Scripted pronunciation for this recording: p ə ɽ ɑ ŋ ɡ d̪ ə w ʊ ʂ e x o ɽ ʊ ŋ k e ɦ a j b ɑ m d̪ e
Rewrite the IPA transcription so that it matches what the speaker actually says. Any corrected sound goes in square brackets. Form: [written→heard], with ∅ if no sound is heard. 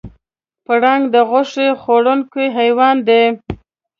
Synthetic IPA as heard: p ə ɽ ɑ ŋ ɡ d̪ ə [w→ɣ] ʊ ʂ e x o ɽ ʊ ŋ k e ɦ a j [b→w] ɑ [m→n] d̪ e